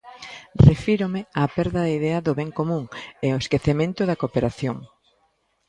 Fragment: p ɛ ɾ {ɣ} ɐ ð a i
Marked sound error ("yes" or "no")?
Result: yes